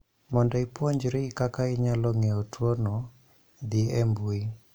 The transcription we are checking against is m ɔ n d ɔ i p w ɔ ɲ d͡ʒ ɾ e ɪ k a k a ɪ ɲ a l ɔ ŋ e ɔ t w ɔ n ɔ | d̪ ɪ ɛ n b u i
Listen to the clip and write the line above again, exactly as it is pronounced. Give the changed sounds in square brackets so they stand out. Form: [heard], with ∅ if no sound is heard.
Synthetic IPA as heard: m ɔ n d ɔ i p w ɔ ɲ d͡ʒ ɾ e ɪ k a k a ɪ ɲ a l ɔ ŋ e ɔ t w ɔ n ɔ | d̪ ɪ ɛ [m] b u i